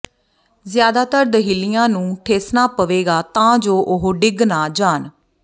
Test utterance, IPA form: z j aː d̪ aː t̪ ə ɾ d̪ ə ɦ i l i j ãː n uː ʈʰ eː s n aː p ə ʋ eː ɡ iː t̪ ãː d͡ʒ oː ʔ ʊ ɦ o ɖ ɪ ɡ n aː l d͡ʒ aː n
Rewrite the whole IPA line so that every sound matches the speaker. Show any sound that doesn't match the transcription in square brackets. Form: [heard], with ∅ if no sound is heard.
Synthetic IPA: z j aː d̪ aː t̪ ə ɾ d̪ ə ɦ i l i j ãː n [ũː] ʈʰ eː s n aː p ə ʋ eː ɡ [aː] t̪ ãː d͡ʒ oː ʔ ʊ ɦ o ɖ ɪ ɡ n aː [∅] d͡ʒ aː n